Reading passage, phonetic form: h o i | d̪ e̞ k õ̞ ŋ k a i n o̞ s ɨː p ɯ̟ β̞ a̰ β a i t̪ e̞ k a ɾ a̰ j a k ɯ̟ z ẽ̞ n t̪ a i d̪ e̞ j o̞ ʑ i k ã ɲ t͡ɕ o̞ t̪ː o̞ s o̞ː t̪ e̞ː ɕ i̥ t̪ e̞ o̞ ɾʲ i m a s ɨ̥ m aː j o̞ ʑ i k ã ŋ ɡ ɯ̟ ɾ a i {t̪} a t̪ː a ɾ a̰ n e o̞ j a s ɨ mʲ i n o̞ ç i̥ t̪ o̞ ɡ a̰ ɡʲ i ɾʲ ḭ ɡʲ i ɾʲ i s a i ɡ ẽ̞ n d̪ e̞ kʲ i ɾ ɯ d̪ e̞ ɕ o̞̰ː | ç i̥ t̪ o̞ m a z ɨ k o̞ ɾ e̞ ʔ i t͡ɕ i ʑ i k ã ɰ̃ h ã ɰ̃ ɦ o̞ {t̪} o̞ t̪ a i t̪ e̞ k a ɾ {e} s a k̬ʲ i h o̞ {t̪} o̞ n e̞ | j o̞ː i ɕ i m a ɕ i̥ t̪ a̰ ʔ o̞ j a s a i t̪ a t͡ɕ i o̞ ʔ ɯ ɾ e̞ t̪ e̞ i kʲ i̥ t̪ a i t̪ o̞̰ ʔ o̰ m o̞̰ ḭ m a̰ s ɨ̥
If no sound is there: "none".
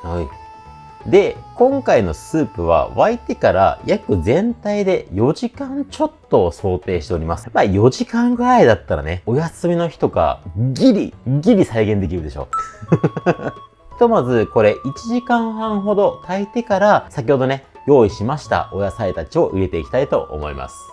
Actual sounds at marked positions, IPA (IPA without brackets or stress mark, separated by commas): d̪, d̪, a, d̪